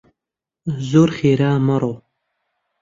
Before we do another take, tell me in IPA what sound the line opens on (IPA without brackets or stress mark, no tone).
z